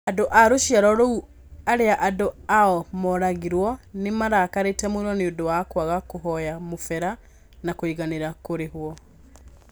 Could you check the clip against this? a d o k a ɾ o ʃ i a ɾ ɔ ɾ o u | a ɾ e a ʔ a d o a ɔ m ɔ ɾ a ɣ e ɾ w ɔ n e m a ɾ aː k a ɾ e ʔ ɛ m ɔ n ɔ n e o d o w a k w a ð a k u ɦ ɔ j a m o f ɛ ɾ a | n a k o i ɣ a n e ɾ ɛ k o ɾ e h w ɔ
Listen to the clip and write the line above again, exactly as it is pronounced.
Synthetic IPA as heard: a d o ʔ a ɾ o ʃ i a ɾ ɔ ɾ o u | a ɾ e a ʔ a d o a ɔ m ɔ ɾ a ɣ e ɾ w ɔ n e m a ɾ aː k a ɾ e t ɛ m o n ɔ n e o d o w a k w a ɣ a k o ɦ ɔ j a m o f ɛ ɾ a | n a k o i ɣ a n e ɾ a k o ɾ e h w ɔ